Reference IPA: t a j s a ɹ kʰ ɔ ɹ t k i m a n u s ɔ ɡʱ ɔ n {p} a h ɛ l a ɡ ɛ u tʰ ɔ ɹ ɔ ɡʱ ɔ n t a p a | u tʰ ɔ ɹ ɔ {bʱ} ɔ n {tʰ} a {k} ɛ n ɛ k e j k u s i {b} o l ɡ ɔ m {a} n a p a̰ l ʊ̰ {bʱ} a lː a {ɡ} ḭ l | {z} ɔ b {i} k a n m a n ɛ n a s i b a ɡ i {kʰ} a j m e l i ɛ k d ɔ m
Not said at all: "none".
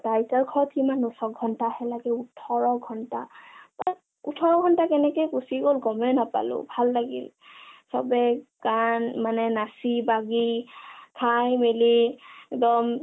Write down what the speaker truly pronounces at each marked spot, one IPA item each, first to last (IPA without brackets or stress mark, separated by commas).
t, ɡʱ, t, k, ɡ, ɛ, bʱ, ɡ, s, ɛ, kʰ